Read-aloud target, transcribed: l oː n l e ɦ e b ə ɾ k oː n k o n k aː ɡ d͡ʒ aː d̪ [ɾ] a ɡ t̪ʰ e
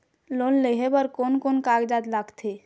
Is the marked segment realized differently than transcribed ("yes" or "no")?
yes